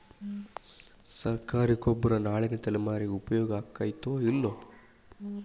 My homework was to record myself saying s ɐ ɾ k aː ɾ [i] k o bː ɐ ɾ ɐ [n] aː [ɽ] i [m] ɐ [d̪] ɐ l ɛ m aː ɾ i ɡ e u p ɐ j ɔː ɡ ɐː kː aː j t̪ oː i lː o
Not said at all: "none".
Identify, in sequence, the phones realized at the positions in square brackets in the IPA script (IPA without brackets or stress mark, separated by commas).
i, n, ɭ, n, t̪